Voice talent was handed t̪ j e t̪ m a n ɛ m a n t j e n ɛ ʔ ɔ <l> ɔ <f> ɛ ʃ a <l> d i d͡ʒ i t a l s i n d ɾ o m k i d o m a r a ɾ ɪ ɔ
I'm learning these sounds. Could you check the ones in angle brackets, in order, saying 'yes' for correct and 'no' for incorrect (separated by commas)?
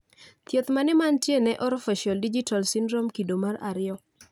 no, yes, yes